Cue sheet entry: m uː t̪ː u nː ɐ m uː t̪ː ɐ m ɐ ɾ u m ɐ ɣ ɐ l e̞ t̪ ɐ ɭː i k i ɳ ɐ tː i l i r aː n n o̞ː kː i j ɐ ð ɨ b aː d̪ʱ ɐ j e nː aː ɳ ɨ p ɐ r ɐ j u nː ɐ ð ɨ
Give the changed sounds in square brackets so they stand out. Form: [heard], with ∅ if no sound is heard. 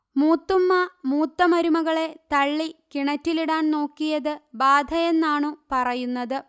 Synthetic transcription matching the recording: m uː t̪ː u [mː] ɐ m uː t̪ː ɐ m ɐ ɾ u m ɐ ɣ ɐ [ɭ] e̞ t̪ ɐ ɭː i k i ɳ ɐ tː i l i [ɽ] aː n n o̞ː kː i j ɐ ð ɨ b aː d̪ʱ ɐ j e nː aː ɳ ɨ p ɐ r ɐ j u nː ɐ ð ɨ